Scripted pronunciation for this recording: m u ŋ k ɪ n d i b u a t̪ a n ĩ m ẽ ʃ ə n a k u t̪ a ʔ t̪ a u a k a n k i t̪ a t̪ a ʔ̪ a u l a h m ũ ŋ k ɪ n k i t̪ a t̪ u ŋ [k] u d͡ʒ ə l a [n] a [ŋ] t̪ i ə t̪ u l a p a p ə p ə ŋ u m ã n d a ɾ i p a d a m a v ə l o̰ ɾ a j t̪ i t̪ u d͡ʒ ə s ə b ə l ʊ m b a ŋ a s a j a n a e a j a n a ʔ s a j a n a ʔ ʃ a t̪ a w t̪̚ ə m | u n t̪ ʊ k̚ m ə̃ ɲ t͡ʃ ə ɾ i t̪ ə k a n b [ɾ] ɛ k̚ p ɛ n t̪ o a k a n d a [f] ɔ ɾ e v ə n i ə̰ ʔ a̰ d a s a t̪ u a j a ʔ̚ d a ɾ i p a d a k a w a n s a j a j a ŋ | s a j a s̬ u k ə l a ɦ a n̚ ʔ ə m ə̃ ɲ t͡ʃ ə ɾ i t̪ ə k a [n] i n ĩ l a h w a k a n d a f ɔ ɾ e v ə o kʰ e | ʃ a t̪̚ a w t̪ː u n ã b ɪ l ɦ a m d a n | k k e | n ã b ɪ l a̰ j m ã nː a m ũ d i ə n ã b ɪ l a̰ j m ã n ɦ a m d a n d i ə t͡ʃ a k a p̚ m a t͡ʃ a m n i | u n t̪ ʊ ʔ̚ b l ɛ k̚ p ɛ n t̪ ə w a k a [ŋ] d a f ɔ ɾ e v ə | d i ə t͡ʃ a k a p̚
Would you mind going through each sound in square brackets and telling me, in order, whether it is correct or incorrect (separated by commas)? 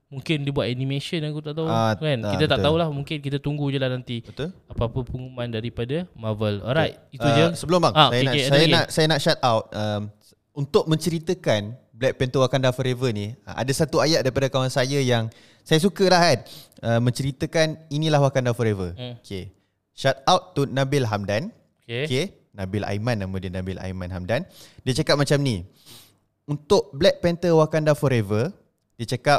incorrect, correct, incorrect, incorrect, correct, correct, incorrect